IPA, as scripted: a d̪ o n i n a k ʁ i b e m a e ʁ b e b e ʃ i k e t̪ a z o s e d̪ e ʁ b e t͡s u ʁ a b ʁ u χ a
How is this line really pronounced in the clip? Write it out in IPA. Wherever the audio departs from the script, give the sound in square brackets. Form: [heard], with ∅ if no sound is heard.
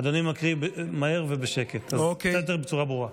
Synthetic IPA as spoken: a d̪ o n i [m] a k ʁ i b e m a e ʁ [v] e b e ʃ [e] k e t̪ a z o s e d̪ e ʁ b e t͡s u ʁ a b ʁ u [ʁ] a